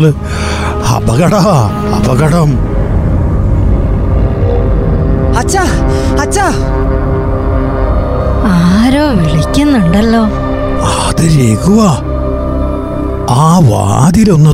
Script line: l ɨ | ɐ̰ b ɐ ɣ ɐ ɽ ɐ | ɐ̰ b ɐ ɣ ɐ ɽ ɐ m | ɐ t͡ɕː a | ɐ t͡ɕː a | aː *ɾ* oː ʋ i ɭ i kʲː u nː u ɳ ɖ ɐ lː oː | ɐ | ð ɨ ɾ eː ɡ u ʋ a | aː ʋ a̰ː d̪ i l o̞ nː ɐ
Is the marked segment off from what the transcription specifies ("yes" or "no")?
no